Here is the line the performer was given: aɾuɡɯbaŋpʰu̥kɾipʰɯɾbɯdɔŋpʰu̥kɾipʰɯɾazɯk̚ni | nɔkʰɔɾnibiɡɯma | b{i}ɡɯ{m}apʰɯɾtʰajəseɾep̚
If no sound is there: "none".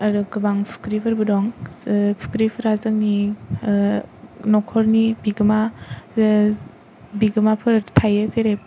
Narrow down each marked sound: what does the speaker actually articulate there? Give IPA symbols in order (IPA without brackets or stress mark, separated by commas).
i, m